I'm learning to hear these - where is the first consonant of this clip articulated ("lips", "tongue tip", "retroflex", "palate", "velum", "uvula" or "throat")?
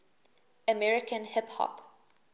lips